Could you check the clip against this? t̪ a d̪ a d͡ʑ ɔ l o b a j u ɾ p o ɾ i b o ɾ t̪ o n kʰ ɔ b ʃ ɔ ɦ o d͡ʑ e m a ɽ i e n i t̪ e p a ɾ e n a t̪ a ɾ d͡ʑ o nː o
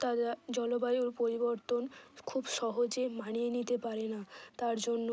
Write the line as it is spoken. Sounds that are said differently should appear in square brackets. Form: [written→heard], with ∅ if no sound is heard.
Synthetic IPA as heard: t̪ a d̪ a d͡ʑ ɔ l o b a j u ɾ p o ɾ i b o ɾ t̪ o n kʰ [ɔ→u] b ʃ ɔ ɦ o d͡ʑ e m a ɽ i e n i t̪ e p a ɾ e n a t̪ a ɾ d͡ʑ o nː o